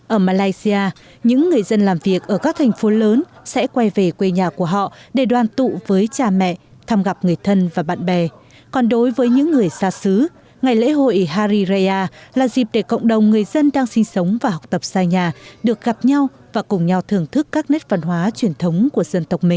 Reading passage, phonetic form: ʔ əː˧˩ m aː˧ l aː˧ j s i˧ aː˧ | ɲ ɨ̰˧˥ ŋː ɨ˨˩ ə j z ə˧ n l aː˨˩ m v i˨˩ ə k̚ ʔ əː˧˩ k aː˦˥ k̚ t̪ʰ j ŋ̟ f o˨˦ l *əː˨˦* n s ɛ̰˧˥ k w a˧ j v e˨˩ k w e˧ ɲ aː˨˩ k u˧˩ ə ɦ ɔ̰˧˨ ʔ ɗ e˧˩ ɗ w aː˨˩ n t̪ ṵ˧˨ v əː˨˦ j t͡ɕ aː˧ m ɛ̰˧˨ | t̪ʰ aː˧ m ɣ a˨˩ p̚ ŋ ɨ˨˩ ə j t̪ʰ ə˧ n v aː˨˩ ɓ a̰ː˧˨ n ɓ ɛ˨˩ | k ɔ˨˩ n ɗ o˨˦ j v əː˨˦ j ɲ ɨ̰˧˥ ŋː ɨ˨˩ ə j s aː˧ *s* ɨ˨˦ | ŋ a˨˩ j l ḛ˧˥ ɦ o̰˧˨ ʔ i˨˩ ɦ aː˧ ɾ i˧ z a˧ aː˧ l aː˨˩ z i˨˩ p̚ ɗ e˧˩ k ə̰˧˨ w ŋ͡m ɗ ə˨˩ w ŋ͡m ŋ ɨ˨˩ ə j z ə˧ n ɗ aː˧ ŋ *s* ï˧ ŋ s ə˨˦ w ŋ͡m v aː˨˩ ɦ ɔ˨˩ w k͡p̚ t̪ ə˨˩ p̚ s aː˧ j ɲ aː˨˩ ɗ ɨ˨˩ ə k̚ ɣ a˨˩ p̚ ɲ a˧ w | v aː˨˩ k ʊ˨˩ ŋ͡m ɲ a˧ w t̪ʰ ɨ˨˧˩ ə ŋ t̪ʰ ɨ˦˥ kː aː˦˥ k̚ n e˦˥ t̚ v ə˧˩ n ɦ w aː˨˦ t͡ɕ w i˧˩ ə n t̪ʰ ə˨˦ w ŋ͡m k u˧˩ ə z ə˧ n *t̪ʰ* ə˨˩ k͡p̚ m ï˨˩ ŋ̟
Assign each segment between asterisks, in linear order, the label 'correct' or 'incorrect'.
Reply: correct, correct, correct, incorrect: t̪

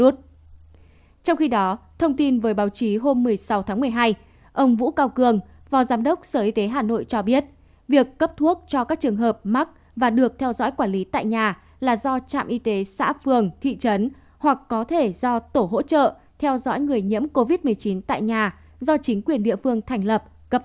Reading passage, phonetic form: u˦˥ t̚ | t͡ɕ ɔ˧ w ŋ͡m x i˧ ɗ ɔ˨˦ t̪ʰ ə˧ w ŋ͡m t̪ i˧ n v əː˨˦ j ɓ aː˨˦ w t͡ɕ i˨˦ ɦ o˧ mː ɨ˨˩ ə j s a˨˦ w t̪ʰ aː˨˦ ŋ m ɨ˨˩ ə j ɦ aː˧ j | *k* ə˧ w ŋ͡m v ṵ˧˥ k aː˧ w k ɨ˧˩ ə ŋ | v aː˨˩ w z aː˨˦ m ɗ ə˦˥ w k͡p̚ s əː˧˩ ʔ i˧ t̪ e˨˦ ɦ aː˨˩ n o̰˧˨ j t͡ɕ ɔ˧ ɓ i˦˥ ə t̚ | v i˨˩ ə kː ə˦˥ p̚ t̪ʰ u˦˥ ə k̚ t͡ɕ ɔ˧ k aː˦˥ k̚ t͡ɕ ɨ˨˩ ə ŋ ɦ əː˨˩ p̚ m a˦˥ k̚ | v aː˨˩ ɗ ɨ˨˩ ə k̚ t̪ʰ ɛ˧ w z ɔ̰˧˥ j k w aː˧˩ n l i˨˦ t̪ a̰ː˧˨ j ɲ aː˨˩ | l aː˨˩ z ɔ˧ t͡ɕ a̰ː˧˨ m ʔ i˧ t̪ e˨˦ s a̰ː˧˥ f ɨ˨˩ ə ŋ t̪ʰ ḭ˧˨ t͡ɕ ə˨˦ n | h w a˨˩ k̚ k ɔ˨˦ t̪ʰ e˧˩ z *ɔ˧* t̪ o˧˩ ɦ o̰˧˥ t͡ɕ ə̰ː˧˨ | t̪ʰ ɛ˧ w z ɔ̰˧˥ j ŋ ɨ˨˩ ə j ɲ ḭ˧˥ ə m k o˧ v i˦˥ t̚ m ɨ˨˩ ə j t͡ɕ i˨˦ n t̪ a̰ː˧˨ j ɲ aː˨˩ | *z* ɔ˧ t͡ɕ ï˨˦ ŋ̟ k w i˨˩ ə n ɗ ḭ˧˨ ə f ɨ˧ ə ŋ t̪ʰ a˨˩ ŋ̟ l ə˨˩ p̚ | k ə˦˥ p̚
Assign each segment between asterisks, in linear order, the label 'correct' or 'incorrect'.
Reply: incorrect: ʔ, correct, correct

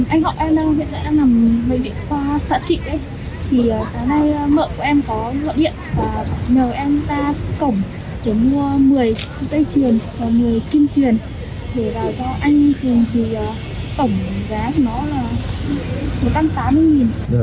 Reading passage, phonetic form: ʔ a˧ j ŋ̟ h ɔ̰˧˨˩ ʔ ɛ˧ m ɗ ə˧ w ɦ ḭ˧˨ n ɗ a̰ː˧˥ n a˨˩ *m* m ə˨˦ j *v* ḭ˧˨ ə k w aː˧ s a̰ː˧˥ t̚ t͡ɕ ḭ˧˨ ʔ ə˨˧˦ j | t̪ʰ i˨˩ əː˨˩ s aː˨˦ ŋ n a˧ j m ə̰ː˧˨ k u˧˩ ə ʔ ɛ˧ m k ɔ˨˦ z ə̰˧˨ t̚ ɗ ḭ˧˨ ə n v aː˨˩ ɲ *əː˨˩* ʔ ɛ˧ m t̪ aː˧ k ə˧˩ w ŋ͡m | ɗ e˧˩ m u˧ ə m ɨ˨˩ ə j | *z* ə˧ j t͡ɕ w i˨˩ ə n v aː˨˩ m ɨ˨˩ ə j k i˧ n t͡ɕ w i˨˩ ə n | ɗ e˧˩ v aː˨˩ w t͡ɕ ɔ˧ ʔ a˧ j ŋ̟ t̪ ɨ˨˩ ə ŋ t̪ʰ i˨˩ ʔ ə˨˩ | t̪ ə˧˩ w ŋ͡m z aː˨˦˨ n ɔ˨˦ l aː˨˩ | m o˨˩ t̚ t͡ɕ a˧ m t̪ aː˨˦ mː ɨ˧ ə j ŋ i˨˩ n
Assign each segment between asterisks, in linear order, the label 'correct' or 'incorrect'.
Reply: correct, correct, correct, correct

